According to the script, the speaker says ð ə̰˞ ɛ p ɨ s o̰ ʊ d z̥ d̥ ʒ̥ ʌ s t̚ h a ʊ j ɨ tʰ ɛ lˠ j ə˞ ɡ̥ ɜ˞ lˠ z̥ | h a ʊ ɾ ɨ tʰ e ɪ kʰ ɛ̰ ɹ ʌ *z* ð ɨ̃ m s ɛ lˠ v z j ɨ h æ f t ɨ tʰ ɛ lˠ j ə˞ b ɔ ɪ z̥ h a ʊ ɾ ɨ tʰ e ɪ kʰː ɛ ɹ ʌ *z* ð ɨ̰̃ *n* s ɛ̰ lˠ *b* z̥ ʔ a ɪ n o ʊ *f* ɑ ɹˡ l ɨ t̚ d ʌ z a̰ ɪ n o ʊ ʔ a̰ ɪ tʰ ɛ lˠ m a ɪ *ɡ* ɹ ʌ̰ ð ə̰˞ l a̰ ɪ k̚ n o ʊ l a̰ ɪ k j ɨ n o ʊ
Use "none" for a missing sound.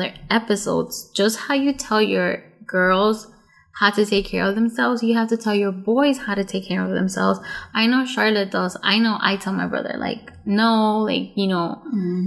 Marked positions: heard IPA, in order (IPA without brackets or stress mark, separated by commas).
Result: v, v, m, v, ʃ, b